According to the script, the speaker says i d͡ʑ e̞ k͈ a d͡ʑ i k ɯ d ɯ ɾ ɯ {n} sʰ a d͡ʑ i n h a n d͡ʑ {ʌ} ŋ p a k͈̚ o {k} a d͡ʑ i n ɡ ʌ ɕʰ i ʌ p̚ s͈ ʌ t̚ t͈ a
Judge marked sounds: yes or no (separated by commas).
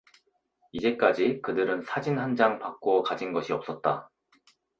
yes, no, yes